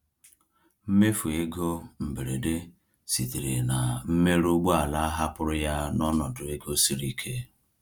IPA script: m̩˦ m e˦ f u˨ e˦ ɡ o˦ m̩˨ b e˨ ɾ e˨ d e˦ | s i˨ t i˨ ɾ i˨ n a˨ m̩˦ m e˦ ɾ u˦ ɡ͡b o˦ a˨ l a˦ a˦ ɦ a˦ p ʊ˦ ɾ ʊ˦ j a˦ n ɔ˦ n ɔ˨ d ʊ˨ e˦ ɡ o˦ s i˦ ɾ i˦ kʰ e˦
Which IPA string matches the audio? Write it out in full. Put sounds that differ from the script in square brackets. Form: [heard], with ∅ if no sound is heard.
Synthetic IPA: m̩˦ m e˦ f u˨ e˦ ɡ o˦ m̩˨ b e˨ ɾ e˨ d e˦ | s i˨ t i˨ ɾ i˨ n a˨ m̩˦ m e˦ ɾ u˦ ɡ͡b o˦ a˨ l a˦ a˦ ɦ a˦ p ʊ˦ ɾ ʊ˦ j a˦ n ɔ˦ n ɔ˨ d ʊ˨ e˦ ɡ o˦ s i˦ ɾ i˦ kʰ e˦

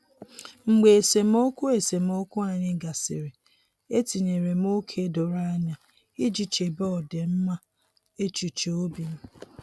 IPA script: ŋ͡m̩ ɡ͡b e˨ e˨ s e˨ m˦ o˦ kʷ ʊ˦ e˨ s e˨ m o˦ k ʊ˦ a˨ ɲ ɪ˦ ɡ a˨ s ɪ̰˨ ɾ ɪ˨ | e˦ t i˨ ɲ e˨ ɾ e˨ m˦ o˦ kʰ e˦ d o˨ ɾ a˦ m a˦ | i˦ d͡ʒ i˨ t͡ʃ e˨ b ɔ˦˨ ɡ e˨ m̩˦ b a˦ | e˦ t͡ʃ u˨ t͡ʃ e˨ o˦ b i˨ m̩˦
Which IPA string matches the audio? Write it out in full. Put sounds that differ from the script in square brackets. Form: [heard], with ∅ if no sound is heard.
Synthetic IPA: ŋ͡m̩ ɡ͡b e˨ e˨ s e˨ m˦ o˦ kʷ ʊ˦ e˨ s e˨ m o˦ k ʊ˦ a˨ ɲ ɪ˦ ɡ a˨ s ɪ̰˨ ɾ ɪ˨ | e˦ t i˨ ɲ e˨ ɾ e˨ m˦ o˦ kʰ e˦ d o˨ ɾ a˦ [ɲ] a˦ | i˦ d͡ʒ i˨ t͡ʃ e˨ b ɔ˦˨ [d] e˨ m̩˦ [m] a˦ | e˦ t͡ʃ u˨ t͡ʃ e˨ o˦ b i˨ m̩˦

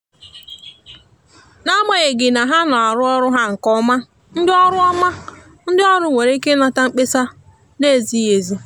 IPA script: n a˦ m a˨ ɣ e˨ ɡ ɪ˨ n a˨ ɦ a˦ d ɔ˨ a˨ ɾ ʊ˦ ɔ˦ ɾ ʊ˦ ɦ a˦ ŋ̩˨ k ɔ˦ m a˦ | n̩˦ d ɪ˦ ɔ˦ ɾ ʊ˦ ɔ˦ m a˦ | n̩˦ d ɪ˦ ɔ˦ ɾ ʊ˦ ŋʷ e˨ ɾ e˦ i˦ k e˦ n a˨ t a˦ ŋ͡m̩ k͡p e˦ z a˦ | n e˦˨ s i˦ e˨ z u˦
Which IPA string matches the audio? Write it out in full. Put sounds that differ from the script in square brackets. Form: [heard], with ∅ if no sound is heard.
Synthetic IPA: n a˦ m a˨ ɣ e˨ ɡ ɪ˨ n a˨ ɦ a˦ [n] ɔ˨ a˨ ɾ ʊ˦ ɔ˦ ɾ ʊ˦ ɦ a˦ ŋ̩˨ k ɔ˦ m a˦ | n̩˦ d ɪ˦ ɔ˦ ɾ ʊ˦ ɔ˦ m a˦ | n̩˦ d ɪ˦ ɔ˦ ɾ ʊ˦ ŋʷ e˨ ɾ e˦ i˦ k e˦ n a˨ t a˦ ŋ͡m̩ k͡p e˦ [s] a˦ | n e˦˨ [z] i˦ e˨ z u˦

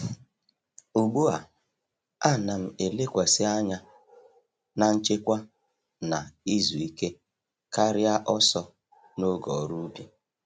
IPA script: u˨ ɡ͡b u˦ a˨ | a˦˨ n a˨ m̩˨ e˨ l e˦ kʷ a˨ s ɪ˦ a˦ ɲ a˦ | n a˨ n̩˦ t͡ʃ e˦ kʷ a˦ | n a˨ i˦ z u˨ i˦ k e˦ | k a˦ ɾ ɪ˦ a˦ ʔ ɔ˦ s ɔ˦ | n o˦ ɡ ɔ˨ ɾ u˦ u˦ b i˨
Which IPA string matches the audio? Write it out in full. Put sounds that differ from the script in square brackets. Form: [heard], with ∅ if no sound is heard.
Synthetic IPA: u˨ ɡ͡b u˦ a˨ | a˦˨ n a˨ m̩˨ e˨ l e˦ kʷ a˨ s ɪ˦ a˦ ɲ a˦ | n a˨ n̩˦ t͡ʃ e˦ kʷ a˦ | n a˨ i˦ z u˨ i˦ k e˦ | k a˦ ɾ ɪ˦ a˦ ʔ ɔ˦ s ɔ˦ | n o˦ ɡ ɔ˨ ɾ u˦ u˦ b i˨

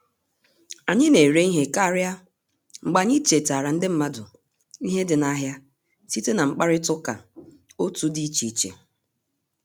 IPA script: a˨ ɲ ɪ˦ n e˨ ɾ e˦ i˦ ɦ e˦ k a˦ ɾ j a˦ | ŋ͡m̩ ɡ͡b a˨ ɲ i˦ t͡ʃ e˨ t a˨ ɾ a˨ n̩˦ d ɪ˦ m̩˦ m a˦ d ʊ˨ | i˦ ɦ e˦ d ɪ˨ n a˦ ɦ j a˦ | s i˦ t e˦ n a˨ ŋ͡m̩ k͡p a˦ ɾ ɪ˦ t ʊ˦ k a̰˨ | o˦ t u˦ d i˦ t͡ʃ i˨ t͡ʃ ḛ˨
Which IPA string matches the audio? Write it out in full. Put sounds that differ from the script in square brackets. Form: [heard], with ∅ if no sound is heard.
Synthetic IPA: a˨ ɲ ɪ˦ n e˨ ɾ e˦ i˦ ɦ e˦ k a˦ ɾ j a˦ | ŋ͡m̩ ɡ͡b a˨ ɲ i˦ t͡ʃ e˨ t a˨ ɾ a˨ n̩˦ d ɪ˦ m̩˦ m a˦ d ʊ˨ | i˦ ɦ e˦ d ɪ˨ n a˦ ɦ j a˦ | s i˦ t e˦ n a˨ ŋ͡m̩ k͡p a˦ ɾ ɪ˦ t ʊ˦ k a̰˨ | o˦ t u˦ d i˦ t͡ʃ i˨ t͡ʃ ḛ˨

